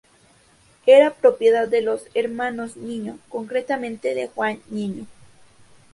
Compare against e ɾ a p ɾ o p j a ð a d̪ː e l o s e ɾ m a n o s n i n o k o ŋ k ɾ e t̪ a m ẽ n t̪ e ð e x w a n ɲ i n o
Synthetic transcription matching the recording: e ɾ a p ɾ o p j e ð a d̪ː e l o s e ɾ m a n o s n i ɲ o k o ŋ k ɾ e t̪ a m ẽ n t̪ e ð e x w a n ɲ i ɲ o